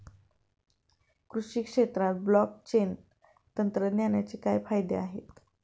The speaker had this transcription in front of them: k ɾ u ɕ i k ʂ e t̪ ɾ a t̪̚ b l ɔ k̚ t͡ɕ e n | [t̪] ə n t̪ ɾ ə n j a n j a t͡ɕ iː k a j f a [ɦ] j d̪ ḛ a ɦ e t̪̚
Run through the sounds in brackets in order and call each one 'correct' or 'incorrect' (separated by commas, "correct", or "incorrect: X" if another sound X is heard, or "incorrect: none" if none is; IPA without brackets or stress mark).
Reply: correct, incorrect: none